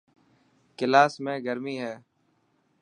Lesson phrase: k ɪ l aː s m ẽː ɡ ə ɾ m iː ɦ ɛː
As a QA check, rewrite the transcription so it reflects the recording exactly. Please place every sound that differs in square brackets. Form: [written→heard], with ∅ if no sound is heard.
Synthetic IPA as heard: k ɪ l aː s m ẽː ɡ ə ɾ m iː ɦ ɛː